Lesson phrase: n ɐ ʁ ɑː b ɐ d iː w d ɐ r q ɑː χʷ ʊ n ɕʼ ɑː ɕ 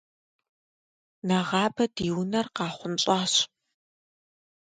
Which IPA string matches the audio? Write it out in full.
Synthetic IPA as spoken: n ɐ ʁ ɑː b ɐ d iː w n ɐ r q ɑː χʷ ʊ n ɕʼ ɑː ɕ